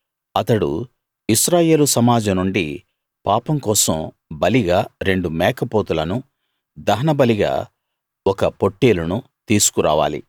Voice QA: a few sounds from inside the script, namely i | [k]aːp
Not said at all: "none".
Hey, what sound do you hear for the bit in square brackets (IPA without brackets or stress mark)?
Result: p